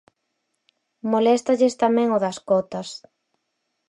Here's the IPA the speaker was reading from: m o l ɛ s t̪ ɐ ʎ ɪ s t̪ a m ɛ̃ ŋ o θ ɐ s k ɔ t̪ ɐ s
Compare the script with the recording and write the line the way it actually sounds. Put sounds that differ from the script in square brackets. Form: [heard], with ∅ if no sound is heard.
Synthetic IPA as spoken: m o l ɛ s t̪ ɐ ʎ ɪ s t̪ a m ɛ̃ ŋ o [ð] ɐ s k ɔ t̪ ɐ s